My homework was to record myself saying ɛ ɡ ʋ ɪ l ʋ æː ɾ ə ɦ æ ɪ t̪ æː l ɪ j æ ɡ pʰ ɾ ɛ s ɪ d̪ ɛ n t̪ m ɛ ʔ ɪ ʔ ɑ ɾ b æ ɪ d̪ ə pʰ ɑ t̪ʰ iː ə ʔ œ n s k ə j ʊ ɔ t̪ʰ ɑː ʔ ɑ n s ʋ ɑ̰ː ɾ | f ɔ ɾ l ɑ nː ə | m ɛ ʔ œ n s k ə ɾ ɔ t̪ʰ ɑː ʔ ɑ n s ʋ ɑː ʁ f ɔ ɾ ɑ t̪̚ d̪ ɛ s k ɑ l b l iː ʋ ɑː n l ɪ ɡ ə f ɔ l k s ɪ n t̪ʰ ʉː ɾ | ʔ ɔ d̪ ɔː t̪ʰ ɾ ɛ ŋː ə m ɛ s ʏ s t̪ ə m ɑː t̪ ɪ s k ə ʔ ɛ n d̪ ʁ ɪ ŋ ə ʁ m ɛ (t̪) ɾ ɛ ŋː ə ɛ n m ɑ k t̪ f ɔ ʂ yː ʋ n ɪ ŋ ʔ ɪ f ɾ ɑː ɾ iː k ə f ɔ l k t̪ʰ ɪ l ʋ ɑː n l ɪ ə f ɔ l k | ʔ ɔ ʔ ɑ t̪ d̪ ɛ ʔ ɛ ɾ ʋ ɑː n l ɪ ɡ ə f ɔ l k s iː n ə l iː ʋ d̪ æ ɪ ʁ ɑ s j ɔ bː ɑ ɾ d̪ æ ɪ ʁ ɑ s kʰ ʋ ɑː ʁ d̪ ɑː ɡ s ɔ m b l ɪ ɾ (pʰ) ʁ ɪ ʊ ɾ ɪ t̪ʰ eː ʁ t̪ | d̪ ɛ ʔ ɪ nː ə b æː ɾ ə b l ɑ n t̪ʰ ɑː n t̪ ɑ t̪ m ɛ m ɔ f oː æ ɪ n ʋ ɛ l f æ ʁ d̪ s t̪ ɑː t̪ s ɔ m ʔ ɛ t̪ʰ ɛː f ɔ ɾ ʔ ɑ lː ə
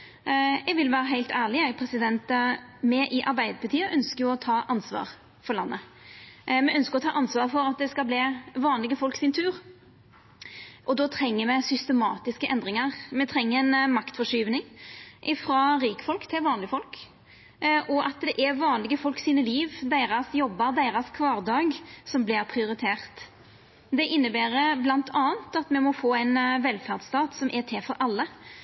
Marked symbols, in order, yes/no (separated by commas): no, yes